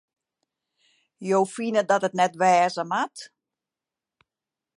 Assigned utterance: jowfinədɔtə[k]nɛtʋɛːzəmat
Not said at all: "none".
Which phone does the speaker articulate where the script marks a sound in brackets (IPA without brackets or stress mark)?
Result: t